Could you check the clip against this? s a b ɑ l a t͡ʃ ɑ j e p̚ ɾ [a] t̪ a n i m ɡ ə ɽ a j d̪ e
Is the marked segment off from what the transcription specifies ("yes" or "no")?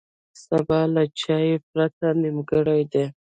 no